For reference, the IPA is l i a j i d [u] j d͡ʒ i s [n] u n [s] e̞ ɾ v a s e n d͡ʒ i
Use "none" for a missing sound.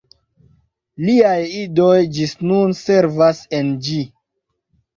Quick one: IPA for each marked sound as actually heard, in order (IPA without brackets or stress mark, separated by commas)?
o, n, s